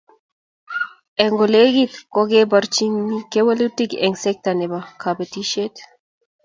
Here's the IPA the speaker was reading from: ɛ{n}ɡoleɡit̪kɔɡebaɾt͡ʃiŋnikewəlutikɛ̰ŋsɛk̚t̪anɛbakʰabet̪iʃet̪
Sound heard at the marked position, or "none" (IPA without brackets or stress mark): ŋ